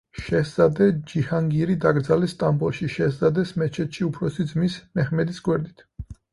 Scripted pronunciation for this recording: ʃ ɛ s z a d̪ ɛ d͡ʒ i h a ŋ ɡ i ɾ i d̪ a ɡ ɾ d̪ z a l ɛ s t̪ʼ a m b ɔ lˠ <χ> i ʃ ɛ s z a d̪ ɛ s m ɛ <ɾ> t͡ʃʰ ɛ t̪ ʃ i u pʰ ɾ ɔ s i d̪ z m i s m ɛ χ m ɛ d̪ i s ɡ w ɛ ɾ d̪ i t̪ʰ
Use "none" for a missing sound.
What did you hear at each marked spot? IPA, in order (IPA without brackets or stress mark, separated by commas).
ʃ, none